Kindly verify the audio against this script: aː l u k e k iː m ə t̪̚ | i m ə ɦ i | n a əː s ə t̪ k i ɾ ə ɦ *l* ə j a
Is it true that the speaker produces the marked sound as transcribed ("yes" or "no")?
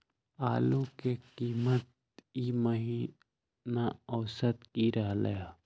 yes